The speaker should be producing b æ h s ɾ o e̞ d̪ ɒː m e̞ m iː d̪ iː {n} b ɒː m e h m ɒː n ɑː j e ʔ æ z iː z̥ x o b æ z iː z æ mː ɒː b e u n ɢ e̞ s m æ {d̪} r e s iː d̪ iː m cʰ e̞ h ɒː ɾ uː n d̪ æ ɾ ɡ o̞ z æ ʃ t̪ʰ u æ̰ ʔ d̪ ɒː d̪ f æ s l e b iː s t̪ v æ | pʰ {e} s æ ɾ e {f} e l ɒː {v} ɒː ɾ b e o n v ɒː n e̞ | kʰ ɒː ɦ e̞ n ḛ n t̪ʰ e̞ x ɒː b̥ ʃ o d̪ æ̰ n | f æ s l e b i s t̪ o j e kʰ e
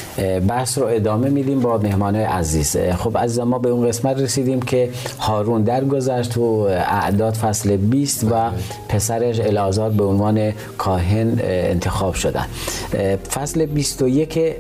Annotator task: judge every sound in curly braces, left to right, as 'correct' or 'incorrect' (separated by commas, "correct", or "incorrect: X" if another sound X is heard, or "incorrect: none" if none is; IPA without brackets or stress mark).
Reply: incorrect: m, incorrect: t̪, correct, incorrect: ʃ, incorrect: z